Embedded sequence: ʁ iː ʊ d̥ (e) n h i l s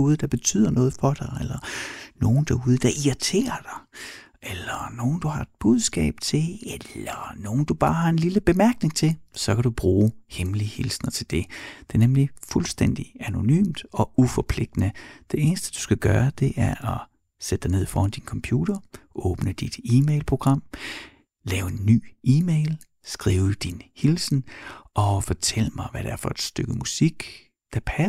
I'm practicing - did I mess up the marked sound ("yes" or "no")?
yes